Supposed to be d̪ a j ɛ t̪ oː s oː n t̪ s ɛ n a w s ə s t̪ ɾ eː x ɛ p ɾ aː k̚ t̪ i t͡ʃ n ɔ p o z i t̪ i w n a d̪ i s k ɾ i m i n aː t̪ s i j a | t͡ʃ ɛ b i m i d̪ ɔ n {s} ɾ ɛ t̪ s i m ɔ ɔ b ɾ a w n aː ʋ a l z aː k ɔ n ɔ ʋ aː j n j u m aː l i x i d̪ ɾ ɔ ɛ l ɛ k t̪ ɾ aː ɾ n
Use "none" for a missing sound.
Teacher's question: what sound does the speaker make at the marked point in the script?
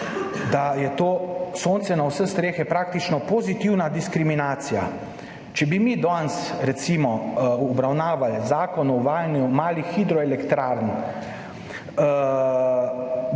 s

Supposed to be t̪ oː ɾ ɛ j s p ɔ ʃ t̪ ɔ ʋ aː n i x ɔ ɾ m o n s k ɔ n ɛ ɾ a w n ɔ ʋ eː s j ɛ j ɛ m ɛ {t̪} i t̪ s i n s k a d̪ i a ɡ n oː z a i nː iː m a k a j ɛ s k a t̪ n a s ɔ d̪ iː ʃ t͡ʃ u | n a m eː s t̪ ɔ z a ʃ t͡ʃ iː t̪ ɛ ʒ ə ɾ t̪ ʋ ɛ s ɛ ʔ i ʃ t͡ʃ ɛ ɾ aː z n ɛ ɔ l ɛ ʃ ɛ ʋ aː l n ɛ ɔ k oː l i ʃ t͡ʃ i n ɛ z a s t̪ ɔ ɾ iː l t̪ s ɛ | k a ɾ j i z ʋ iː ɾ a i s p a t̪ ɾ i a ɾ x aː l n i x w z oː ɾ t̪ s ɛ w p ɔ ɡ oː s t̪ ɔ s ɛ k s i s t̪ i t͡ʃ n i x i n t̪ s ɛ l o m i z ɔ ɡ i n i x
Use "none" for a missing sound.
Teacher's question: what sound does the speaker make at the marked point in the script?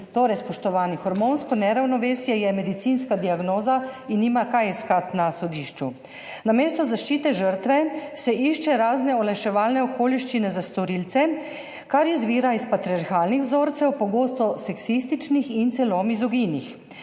d̪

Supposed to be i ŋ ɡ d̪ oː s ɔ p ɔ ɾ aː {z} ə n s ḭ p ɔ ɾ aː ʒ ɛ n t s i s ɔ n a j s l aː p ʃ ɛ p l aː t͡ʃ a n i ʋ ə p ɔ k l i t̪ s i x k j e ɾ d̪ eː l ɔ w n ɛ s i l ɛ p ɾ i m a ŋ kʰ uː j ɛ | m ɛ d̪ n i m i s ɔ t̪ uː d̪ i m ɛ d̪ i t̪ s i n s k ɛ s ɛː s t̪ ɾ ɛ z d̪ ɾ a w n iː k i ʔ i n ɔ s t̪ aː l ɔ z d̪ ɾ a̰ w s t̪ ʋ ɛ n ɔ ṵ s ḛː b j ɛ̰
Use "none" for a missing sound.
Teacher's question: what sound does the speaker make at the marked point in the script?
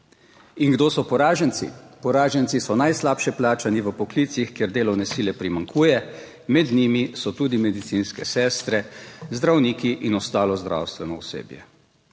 ʒ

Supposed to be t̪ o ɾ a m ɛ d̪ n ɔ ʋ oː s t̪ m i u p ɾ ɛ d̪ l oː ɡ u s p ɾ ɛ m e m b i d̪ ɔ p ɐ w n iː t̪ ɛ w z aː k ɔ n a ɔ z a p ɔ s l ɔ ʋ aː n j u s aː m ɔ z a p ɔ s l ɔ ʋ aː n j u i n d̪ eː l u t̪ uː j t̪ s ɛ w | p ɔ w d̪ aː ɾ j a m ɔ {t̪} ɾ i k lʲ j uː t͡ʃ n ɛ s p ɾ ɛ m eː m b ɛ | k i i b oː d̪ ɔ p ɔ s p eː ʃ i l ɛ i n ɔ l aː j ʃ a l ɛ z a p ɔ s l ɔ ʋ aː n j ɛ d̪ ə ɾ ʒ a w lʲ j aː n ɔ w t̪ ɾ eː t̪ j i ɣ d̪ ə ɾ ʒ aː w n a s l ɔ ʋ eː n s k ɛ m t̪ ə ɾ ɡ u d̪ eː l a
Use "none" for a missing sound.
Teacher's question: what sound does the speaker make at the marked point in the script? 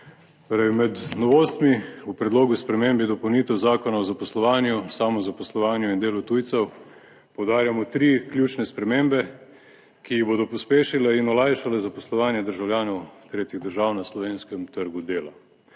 t̪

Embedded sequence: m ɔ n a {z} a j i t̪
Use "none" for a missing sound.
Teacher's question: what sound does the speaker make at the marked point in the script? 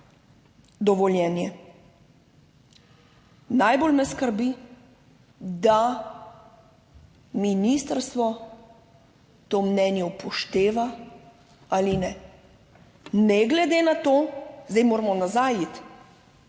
z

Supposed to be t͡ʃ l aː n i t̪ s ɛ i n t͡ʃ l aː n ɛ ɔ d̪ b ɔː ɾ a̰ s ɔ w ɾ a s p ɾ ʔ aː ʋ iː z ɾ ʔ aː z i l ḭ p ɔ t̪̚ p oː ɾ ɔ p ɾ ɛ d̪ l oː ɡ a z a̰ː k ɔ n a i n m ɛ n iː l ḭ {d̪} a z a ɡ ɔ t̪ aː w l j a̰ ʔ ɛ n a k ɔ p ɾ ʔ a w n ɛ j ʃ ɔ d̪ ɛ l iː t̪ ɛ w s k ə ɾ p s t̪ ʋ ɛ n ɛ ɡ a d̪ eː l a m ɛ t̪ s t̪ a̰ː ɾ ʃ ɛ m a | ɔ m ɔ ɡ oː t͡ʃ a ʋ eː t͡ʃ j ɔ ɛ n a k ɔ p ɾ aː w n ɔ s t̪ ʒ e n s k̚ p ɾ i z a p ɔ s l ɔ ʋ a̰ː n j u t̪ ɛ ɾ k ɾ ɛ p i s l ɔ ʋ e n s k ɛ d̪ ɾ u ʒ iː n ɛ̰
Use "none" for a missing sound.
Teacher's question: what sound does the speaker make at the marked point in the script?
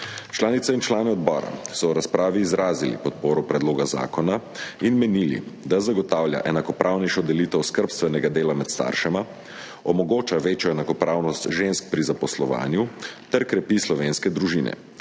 d̪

